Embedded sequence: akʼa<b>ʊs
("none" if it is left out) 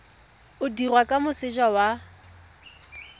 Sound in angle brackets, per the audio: m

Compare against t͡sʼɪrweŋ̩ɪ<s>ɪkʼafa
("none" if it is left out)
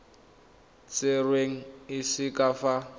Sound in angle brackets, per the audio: s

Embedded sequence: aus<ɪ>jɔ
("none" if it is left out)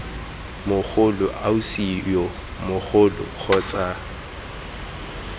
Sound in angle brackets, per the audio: i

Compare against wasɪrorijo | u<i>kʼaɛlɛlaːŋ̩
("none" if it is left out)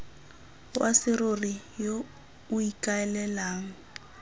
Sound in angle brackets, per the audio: i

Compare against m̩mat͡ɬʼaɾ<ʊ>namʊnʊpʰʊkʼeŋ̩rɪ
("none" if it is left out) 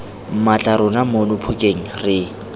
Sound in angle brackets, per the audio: ʊ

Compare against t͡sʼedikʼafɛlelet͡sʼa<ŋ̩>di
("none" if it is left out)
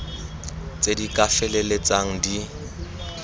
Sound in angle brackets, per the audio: ŋ̩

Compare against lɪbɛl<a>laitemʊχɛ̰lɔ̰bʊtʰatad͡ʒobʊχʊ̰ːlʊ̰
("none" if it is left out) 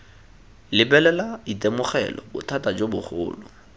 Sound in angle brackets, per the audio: ɛ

